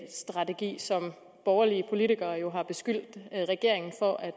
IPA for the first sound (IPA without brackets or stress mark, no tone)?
s